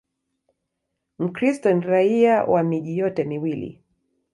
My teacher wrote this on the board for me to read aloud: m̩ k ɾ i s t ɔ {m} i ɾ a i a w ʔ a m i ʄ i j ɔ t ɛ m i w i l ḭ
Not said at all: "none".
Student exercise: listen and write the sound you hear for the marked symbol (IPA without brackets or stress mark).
n